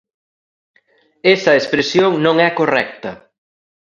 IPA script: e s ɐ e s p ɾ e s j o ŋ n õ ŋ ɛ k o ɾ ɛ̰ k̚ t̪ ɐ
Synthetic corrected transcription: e s ɐ e s p ɾ e s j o ŋ n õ ŋ ɛ k o r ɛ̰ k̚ t̪ ɐ